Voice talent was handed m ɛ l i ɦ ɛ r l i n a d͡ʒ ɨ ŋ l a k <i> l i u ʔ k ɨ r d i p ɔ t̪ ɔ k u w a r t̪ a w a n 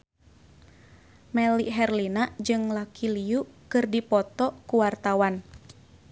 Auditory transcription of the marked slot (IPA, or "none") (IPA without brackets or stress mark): i